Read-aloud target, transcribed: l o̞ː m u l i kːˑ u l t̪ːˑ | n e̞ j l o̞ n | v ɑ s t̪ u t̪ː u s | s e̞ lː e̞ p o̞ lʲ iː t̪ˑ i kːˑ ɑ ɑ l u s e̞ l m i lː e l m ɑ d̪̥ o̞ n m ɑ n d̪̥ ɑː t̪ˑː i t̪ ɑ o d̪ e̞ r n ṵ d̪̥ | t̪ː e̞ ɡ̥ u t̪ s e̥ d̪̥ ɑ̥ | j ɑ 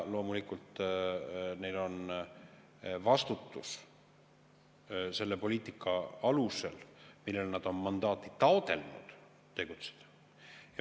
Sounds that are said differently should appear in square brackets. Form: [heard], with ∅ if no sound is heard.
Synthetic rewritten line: l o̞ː m u l i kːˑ u l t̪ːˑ | n e̞ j l o̞ n | v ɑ s t̪ u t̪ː u s | s e̞ lː e̞ p o̞ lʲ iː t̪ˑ i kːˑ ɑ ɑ l u s e̞ l m i lː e l [n] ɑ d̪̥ o̞ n m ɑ n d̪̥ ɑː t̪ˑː i t̪ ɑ o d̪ e̞ [l] n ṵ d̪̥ | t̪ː e̞ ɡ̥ u t̪ s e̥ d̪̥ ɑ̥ | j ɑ